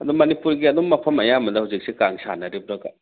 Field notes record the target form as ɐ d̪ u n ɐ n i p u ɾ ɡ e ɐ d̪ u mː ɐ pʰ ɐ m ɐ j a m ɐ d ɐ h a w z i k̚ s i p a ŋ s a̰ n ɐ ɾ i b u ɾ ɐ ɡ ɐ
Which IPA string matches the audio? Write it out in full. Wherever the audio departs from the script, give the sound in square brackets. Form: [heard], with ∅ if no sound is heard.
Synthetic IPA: ɐ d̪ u [m] ɐ n i p u ɾ ɡ [i] ɐ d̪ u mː ɐ pʰ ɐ m ɐ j a m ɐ d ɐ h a w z i k̚ s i [k] a ŋ s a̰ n ɐ ɾ i b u ɾ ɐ ɡ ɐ